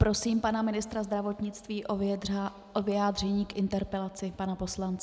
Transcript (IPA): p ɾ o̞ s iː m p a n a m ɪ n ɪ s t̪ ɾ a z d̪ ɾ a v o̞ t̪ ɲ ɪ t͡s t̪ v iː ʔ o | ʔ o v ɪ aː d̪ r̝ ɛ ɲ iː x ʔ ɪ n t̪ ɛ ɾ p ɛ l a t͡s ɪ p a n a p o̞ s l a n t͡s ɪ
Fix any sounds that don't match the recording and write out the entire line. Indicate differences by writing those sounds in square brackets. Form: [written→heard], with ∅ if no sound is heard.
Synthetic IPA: p ɾ o̞ s iː m p a n a m ɪ n ɪ s t̪ ɾ a z d̪ ɾ a v o̞ t̪ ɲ ɪ t͡s t̪ v iː ʔ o | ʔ o v ɪ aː d̪ r̝ ɛ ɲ iː [x→k] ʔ ɪ n t̪ ɛ ɾ p ɛ l a t͡s ɪ p a n a p o̞ s l a n t͡s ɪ